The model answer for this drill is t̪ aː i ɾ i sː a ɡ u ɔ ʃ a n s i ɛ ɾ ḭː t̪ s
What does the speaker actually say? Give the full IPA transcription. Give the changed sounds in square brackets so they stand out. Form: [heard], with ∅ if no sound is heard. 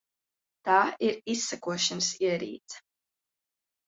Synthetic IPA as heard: t̪ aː i ɾ i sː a [k] u ɔ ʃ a n s i ɛ ɾ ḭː t̪ s